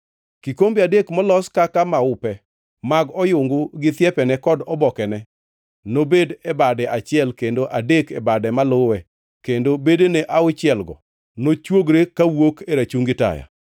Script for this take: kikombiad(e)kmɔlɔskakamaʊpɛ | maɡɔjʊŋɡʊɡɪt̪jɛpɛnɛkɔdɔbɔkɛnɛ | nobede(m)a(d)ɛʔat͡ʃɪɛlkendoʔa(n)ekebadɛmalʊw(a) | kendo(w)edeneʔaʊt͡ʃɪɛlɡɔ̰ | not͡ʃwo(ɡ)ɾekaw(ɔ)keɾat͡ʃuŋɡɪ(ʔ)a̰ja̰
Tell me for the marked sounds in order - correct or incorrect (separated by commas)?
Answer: correct, incorrect, correct, incorrect, incorrect, incorrect, correct, incorrect, incorrect